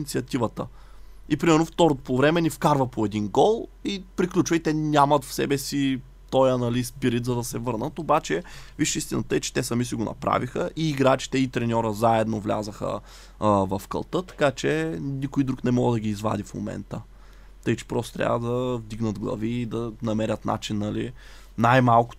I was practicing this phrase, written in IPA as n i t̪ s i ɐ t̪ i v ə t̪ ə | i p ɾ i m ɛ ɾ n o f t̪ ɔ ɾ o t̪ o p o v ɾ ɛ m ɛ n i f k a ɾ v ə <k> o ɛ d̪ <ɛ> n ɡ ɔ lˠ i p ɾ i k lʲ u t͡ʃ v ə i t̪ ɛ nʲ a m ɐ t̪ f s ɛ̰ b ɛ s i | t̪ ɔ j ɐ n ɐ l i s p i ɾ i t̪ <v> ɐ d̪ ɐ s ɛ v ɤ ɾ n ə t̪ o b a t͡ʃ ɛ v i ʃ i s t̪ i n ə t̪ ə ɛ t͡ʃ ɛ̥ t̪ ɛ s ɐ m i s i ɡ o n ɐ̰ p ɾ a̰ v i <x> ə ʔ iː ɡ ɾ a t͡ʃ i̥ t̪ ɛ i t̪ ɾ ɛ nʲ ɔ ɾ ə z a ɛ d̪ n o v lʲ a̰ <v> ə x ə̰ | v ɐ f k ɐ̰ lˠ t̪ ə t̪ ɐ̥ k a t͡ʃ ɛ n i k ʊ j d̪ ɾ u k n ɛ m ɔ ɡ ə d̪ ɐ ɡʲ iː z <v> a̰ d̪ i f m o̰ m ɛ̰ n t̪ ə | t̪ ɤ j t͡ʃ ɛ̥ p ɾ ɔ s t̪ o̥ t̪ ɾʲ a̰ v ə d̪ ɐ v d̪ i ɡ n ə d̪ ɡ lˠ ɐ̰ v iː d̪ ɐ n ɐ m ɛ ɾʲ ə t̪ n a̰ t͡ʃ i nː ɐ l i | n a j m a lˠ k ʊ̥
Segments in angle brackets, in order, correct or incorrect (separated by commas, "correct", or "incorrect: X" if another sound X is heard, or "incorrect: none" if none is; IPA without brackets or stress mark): incorrect: p, incorrect: i, incorrect: z, correct, incorrect: z, correct